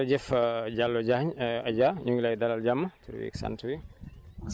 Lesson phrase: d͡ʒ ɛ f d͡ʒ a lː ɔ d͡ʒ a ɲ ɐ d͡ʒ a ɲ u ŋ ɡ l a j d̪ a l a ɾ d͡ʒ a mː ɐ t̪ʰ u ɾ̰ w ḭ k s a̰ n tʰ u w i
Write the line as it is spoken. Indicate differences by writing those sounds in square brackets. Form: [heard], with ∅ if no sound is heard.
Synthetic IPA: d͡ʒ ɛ f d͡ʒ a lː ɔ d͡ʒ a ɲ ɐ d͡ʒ a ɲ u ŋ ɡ l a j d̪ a l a [l] d͡ʒ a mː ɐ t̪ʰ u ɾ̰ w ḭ k s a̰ n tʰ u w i